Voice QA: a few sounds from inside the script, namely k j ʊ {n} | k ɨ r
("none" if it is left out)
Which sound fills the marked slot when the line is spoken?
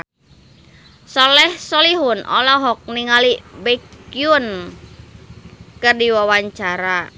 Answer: n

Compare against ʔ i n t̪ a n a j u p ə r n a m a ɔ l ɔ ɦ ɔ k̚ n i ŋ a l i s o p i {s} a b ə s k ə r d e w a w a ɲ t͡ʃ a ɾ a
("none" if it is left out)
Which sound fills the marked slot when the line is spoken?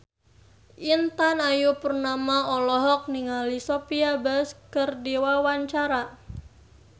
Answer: none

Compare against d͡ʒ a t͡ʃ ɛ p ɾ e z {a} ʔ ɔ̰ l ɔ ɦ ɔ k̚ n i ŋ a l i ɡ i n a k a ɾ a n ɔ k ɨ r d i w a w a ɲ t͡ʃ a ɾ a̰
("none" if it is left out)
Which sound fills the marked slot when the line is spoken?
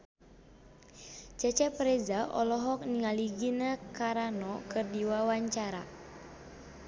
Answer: a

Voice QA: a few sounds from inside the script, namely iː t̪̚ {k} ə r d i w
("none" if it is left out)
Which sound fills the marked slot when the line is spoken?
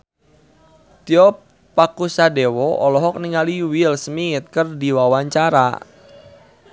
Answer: k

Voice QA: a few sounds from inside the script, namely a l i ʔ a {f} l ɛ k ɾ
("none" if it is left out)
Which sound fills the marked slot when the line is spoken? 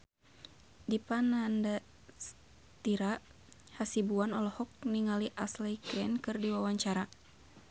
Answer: s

